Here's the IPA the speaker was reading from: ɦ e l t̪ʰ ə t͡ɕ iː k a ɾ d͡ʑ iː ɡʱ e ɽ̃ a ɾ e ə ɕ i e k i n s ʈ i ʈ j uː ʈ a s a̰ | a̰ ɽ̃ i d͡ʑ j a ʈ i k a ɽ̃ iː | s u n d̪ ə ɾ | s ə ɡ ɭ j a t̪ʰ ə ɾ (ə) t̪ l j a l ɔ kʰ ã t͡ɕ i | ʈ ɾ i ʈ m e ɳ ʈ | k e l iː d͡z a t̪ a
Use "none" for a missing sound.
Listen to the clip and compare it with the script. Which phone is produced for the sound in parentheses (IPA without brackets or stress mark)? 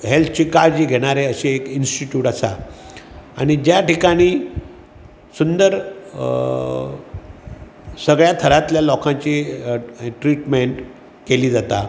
a